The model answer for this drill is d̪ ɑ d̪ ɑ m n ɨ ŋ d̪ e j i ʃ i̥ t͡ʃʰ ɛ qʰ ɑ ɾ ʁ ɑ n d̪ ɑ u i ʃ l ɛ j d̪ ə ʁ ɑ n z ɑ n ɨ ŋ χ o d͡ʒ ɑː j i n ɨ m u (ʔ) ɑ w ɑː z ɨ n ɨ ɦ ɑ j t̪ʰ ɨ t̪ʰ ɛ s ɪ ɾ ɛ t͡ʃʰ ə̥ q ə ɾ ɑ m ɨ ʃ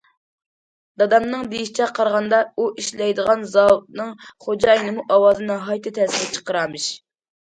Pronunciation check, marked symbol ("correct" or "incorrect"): correct